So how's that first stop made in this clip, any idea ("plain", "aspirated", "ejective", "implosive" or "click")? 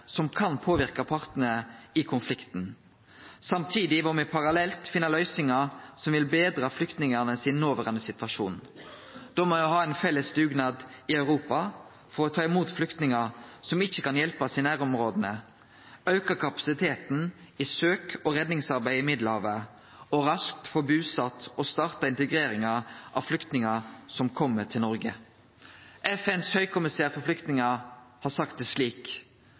aspirated